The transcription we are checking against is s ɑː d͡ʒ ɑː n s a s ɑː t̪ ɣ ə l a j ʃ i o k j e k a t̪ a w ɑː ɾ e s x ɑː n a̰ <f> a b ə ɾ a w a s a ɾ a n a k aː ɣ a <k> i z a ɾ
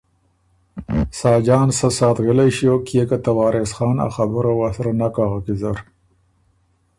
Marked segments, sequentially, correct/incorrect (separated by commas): incorrect, correct